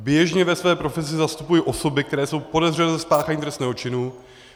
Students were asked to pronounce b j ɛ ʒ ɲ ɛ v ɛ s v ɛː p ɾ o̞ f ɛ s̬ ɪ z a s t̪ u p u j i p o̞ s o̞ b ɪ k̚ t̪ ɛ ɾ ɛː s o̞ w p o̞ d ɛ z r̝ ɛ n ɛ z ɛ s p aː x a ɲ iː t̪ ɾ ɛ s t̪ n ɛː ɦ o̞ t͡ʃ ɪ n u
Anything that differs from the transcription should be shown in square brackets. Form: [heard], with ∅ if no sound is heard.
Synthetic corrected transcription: b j ɛ ʒ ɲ ɛ v ɛ s v ɛː p ɾ o̞ f ɛ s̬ ɪ z a s t̪ u p u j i [ʔ] o̞ s o̞ b ɪ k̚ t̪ ɛ ɾ ɛː s o̞ w p o̞ d ɛ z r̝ ɛ n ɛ z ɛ s p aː x a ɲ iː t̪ ɾ ɛ s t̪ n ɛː ɦ o̞ t͡ʃ ɪ n u